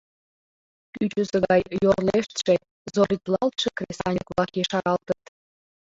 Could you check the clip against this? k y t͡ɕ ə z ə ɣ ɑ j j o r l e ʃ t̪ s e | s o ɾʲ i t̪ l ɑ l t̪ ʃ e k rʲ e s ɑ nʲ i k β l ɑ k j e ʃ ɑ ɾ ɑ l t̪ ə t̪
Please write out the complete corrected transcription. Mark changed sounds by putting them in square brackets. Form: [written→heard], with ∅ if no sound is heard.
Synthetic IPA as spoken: k y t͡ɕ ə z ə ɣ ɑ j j o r l e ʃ t̪ [s→ʃ] e | [s→z] o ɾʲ i t̪ l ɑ l t̪ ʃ e k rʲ e s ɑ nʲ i k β l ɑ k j e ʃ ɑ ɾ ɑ l t̪ ə t̪